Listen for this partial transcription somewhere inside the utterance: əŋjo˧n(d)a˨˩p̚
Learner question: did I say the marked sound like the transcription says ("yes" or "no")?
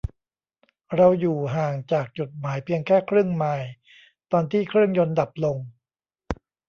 yes